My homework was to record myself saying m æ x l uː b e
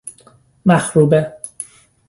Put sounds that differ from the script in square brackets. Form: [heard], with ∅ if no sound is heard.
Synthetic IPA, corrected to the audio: m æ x [ɾ] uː b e